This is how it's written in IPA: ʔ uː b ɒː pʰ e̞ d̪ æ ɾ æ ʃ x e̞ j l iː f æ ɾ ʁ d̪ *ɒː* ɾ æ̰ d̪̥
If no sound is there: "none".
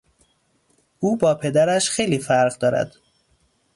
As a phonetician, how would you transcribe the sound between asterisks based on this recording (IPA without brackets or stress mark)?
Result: ɒː